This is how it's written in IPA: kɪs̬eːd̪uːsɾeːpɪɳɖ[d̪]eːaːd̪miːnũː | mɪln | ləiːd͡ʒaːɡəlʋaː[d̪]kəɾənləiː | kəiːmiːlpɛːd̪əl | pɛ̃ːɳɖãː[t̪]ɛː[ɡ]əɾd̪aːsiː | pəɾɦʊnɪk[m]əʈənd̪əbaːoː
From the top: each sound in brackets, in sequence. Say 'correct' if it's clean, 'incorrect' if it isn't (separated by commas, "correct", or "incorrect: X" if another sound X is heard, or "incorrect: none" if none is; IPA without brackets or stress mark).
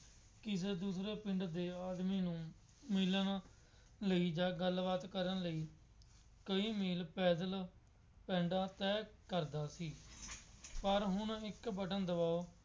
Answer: correct, incorrect: t̪, correct, incorrect: k, incorrect: b